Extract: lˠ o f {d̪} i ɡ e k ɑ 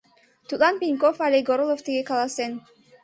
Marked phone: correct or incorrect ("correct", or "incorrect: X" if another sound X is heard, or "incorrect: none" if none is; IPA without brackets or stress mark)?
incorrect: t̪